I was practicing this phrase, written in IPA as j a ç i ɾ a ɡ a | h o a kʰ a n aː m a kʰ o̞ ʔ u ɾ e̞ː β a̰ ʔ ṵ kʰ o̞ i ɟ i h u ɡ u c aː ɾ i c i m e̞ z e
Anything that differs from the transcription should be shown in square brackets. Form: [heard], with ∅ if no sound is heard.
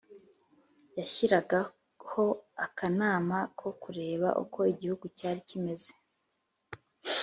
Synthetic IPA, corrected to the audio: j a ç i ɾ a ɡ a | h o a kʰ a n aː m a kʰ o̞ [k] u ɾ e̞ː β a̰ ʔ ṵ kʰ o̞ i ɟ i h u ɡ u c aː ɾ i c i m e̞ z e